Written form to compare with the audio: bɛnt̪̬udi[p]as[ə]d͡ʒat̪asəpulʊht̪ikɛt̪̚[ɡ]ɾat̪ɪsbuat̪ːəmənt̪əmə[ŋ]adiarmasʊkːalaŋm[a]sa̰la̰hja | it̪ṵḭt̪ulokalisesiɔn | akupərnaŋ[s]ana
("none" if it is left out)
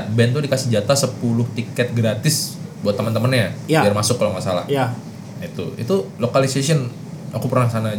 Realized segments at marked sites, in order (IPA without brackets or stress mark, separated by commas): k, ə, ɡ, n, a, s